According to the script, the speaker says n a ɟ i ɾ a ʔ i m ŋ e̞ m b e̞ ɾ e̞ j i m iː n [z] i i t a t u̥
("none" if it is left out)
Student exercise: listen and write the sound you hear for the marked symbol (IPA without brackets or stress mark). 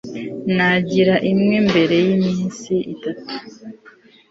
s